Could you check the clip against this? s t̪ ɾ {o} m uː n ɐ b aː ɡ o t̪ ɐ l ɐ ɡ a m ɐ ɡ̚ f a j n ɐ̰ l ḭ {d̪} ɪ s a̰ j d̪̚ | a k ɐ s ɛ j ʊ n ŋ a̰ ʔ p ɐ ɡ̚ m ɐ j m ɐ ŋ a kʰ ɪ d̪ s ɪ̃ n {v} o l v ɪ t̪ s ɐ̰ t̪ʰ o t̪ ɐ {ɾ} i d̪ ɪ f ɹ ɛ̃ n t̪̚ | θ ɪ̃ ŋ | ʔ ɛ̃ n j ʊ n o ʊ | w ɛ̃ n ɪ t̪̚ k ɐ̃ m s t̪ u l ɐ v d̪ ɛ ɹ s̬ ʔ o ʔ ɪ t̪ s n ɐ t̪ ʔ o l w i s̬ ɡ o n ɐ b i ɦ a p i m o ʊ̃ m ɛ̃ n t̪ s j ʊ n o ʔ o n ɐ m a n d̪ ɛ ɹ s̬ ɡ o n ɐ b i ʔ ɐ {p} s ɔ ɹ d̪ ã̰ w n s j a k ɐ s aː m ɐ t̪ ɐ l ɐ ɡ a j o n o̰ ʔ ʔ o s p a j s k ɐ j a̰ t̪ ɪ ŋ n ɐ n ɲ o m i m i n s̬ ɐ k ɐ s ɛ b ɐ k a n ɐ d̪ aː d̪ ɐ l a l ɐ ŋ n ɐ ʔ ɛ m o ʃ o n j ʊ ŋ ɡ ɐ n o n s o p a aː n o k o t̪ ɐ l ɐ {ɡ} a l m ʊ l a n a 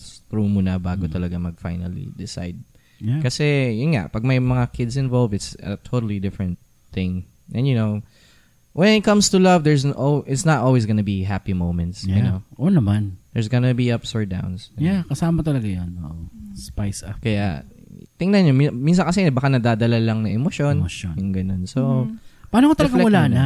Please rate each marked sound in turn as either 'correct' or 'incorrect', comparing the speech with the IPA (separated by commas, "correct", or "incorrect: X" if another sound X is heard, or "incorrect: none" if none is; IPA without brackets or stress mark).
incorrect: u, correct, correct, incorrect: l, correct, correct